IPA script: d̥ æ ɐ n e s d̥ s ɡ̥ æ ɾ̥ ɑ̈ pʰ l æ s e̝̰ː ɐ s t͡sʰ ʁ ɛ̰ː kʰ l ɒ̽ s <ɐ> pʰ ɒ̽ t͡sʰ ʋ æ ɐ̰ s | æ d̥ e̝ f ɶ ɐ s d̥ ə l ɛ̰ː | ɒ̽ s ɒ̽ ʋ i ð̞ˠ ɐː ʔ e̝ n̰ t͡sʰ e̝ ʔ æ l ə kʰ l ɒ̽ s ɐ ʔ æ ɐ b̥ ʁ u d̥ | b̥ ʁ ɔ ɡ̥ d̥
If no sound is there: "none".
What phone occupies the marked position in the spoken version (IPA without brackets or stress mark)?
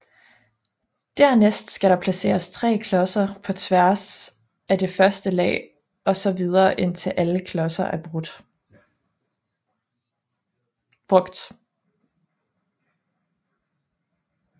ɐ